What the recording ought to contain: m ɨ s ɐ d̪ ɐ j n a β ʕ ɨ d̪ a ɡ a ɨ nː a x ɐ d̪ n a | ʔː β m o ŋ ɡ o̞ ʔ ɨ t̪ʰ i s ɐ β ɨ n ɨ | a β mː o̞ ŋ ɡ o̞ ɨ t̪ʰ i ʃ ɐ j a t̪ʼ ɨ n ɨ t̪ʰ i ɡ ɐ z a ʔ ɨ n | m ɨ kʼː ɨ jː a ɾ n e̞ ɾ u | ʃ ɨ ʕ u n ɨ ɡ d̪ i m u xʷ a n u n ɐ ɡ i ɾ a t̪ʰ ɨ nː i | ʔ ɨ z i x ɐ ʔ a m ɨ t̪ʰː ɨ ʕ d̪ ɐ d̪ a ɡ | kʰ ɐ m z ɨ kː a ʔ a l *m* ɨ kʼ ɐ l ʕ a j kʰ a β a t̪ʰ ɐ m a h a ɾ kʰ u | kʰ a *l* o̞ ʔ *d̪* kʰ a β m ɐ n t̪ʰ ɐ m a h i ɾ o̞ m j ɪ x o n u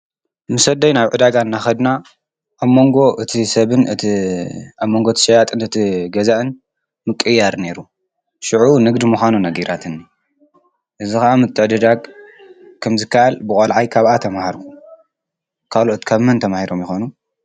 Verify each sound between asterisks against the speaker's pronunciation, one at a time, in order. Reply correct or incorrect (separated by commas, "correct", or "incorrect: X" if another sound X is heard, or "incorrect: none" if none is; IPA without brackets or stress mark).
incorrect: b, correct, incorrect: t̪